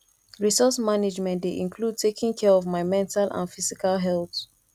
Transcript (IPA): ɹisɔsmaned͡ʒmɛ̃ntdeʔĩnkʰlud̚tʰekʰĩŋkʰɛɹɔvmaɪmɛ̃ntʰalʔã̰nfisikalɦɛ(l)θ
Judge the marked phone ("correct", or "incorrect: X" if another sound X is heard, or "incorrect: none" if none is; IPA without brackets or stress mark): correct